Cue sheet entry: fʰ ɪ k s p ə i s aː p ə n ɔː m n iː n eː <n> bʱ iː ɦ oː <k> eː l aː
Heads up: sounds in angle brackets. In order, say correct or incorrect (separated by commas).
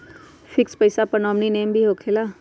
incorrect, incorrect